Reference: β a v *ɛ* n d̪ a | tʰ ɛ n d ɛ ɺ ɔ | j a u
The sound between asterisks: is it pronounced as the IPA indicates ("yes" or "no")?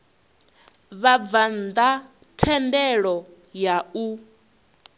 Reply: no